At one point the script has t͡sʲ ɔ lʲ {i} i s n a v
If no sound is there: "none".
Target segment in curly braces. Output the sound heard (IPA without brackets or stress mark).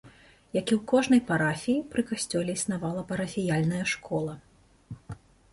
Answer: ɛ